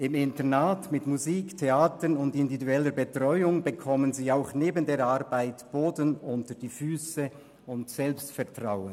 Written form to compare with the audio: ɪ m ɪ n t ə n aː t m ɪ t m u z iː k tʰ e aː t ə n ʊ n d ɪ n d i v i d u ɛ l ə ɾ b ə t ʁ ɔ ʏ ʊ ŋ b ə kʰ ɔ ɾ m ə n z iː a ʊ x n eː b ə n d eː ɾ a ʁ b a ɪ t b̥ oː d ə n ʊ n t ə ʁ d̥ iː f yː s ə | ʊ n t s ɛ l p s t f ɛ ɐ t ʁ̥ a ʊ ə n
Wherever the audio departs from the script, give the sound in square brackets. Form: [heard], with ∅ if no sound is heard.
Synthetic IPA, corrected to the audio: ɪ m ɪ n t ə n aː t m ɪ t m u z iː k tʰ e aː t ə n ʊ n d ɪ n d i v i d u ɛ l ə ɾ b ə t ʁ ɔ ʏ ʊ ŋ b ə kʰ ɔ [∅] m ə n z iː a ʊ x n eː b ə n d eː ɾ a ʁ b a ɪ t b̥ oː d ə n ʊ n t ə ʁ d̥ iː f yː s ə | ʊ n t s ɛ l p s t f ɛ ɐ t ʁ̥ a ʊ ə n